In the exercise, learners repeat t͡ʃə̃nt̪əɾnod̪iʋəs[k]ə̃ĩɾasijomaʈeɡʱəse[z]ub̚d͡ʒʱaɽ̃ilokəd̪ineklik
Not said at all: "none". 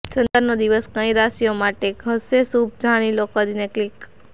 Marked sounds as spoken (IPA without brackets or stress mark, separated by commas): k, s